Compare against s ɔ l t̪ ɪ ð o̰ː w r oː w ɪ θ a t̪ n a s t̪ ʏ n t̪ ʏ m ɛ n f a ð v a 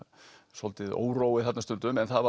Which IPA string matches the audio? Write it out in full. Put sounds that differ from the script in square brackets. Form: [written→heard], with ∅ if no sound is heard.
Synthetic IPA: s ɔ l t̪ ɪ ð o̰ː w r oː w ɪ θ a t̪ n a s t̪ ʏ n t̪ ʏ m ɛ n [f→θ] a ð v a

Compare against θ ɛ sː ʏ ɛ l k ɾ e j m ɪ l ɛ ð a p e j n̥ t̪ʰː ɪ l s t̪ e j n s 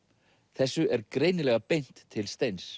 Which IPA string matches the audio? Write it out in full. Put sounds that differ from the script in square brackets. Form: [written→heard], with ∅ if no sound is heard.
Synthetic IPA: θ ɛ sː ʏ ɛ [l→ɾ] k ɾ e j [m→n] ɪ l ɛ [ð→ɣ] a p e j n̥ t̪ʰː ɪ l s t̪ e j n s

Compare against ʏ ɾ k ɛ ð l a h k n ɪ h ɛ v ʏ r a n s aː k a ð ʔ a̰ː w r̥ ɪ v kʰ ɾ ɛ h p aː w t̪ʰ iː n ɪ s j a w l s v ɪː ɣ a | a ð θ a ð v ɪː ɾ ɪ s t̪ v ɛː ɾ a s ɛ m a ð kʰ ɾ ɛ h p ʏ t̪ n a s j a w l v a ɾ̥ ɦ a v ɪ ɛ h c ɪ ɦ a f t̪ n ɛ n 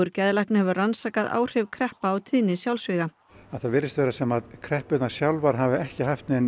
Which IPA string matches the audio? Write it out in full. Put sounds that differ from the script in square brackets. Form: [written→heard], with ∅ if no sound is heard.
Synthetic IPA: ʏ ɾ [k→c] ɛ ð l a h k n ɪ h ɛ v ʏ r a n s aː k a ð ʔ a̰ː w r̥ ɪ v kʰ ɾ ɛ h p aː w t̪ʰ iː n ɪ s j a w l s v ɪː ɣ a | a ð θ a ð v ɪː ɾ ɪ s t̪ v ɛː ɾ a s ɛ m a ð kʰ ɾ ɛ h p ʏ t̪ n a s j a w l v a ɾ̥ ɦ a v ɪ ɛ h c ɪ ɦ a f t̪ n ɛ n

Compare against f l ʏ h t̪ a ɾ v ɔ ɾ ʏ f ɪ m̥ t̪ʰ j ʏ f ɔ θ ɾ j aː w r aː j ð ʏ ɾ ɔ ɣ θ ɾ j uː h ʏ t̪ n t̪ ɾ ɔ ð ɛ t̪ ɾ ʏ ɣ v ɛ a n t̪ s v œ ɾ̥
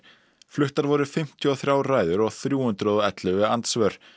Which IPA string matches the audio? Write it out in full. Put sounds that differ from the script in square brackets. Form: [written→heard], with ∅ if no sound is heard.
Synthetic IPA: f l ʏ h t̪ a ɾ v ɔ ɾ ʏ f ɪ m̥ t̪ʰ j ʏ [f→∅] ɔ θ ɾ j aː w r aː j ð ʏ ɾ ɔ ɣ θ ɾ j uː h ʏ [t̪→∅] n t̪ ɾ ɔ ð ɛ t̪ [ɾ→l] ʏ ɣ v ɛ a n t̪ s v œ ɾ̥

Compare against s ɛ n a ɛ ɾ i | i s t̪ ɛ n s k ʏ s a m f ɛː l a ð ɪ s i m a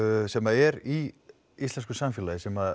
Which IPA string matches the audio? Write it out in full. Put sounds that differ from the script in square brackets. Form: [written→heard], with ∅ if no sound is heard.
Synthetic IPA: s ɛ [n→m] a ɛ ɾ i | i s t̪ ɛ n s k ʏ s a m f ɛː l a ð ɪ s [i→ɛ] m a

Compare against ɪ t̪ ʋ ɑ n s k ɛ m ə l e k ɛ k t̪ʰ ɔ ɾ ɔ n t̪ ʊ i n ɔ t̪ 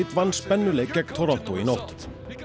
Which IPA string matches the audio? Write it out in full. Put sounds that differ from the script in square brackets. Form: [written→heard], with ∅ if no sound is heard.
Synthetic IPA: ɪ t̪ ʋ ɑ n s [k→p] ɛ [m→n] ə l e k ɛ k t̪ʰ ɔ ɾ ɔ n t̪ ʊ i n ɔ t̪

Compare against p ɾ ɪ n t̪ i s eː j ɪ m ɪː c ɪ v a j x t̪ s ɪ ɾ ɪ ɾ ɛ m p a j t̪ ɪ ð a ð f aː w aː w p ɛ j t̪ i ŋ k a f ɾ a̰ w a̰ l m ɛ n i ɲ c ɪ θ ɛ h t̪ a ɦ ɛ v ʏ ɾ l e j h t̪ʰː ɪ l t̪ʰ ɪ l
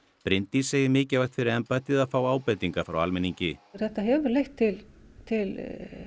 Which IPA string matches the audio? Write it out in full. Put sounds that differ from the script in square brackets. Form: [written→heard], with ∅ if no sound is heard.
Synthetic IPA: p ɾ ɪ n t̪ i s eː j ɪ m ɪː c ɪ v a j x t̪ [s→f] ɪ ɾ ɪ ɾ ɛ m p a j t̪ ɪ ð a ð f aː w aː w p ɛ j t̪ i ŋ k a f ɾ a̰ w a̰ l m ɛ n i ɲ c ɪ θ ɛ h t̪ a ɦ ɛ v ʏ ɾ l e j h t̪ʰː ɪ l t̪ʰ ɪ l

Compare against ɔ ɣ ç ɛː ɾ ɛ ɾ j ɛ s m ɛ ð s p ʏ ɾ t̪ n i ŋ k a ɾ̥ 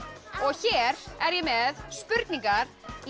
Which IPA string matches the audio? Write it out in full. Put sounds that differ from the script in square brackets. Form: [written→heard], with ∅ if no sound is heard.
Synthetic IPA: ɔ ɣ ç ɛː ɾ ɛ ɾ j ɛ [s→∅] m ɛ ð s p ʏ ɾ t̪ n i ŋ k a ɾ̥

